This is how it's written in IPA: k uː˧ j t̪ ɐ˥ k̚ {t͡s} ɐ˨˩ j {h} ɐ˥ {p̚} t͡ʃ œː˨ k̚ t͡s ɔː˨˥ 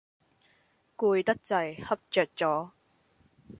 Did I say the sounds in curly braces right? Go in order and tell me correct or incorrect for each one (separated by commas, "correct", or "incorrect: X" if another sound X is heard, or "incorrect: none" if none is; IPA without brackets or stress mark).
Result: correct, correct, correct